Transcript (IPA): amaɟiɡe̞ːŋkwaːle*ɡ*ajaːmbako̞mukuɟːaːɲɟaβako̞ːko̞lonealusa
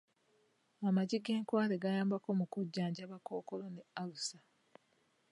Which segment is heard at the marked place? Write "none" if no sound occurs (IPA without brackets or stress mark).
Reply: ɡ